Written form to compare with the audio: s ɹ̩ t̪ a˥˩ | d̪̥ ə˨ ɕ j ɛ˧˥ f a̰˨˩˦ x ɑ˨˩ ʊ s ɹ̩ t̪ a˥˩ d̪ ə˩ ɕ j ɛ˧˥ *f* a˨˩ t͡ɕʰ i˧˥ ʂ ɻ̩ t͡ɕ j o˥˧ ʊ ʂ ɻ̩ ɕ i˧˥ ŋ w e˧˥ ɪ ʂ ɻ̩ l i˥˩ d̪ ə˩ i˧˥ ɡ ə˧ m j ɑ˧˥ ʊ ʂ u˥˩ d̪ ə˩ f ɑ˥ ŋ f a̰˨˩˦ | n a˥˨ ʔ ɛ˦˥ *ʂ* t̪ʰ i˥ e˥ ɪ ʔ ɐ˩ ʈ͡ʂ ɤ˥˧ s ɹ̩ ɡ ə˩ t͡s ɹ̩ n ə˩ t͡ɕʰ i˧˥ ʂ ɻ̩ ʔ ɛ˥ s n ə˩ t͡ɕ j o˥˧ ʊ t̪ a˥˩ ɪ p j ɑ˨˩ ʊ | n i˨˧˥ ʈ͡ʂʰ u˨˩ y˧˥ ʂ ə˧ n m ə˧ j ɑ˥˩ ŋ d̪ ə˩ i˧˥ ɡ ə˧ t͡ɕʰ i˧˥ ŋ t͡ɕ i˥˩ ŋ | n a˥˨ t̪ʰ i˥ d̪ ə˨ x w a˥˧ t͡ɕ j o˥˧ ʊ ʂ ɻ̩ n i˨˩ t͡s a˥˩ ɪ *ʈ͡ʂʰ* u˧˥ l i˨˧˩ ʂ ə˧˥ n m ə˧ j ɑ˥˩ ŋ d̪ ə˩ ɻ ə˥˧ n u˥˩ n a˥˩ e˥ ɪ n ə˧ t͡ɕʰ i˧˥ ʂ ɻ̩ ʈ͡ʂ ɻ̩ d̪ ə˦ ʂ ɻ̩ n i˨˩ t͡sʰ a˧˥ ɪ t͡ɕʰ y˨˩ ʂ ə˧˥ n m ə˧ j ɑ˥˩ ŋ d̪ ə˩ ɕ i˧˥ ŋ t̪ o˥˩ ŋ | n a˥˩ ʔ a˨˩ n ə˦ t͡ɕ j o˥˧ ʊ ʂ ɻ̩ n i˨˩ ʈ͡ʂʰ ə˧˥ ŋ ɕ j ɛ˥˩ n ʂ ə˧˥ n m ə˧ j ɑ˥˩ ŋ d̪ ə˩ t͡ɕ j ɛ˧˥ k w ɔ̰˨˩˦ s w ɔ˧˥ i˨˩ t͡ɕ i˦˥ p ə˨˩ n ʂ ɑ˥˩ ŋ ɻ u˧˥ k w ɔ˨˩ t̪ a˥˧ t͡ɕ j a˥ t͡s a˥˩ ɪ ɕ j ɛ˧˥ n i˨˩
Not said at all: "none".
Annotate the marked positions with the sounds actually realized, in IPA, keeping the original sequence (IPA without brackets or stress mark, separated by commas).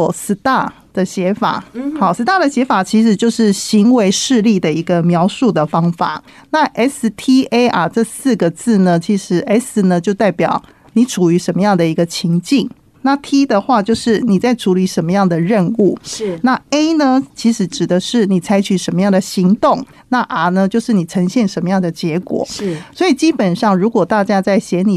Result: f, s, ʈ͡ʂʰ